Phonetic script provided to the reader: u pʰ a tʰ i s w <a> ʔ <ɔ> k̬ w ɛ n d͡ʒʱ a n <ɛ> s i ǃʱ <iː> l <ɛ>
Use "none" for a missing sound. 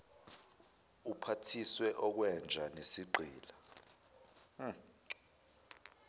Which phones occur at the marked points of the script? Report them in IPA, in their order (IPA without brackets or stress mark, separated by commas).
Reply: ɛ, ɔ, e, iː, a